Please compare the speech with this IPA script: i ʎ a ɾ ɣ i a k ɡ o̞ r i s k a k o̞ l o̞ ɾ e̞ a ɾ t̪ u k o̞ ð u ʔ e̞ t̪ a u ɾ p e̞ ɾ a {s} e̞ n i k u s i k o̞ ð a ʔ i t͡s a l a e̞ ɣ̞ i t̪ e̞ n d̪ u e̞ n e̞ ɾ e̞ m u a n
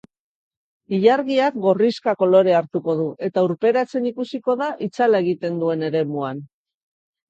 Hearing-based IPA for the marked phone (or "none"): t͡s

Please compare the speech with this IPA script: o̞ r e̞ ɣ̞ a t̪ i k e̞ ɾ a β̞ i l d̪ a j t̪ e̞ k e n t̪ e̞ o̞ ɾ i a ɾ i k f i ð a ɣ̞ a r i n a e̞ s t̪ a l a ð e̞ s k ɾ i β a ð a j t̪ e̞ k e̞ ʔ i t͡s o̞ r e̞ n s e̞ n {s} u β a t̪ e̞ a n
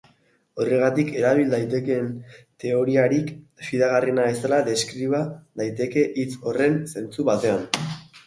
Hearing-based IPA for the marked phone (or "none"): t͡s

